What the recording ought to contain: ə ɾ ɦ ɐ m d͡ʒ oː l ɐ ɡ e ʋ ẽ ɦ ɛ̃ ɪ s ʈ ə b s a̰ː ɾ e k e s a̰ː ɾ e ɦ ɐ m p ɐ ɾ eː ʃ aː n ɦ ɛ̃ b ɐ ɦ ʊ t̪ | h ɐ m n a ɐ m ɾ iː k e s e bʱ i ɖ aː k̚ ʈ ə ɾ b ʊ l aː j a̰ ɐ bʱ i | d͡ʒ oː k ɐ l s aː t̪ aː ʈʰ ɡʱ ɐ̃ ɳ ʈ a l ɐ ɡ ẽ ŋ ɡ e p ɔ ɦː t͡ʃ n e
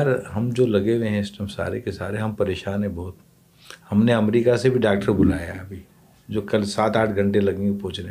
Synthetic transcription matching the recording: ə ɾ ɦ ɐ m d͡ʒ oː l ɐ ɡ e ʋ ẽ ɦ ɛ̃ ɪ s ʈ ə m s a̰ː ɾ e k e s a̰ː ɾ e ɦ ɐ m p ɐ ɾ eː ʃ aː n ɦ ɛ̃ b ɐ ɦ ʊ t̪ | h ɐ m n e ɐ m ɾ iː k a s e bʱ i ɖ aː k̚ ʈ ə ɾ b ʊ l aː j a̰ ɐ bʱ i | d͡ʒ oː k ɐ l s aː t̪ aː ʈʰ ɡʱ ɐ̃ ɳ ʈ e l ɐ ɡ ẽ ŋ ɡ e p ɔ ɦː t͡ʃ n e